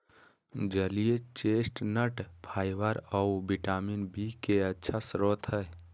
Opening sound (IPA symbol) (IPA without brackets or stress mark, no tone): d͡ʒ